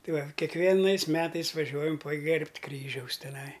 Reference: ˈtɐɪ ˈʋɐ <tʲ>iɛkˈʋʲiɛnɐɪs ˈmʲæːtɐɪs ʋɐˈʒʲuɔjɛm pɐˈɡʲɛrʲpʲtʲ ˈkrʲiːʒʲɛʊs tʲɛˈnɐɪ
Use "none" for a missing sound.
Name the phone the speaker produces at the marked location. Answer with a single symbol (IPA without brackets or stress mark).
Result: kʲ